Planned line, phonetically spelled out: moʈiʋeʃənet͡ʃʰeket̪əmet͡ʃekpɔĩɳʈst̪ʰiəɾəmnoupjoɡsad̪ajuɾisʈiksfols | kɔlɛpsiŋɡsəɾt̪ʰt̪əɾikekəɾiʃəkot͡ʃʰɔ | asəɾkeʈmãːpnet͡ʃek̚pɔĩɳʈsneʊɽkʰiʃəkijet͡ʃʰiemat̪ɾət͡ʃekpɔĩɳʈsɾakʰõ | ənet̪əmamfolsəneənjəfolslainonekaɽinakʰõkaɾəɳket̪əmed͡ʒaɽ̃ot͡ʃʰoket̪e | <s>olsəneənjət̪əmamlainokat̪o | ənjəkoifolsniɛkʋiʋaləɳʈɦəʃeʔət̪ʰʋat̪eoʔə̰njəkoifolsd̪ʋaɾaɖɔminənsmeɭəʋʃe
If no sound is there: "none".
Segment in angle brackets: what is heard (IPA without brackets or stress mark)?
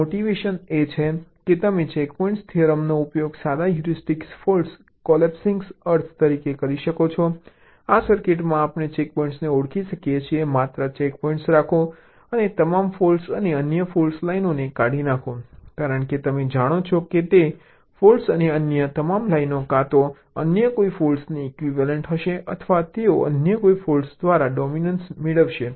f